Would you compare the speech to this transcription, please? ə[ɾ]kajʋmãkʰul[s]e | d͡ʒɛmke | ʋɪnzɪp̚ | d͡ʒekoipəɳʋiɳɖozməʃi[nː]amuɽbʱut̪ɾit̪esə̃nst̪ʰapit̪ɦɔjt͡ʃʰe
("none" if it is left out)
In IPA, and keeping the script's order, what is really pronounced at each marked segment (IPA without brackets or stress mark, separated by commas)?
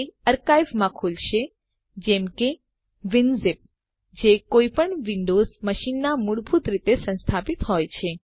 ɾ, ʃ, nː